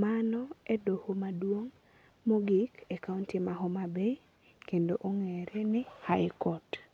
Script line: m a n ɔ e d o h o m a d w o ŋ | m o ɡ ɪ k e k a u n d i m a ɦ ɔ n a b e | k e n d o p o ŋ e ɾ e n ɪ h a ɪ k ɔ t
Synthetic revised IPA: m a n ɔ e d o h o m a d w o ŋ | m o ɡ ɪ k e k a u n t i m a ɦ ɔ m a b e | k e n d o ʔ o ŋ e ɾ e n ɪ h a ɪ k ɔ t